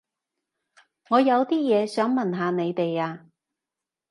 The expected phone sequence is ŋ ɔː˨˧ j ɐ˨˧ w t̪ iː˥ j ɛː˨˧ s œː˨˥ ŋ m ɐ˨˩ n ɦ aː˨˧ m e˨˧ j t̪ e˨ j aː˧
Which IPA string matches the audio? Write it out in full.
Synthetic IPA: ŋ ɔː˨˧ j ɐ˨˧ w t̪ iː˥ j ɛː˨˧ s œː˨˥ ŋ m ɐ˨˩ n ɦ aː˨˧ n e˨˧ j t̪ e˨ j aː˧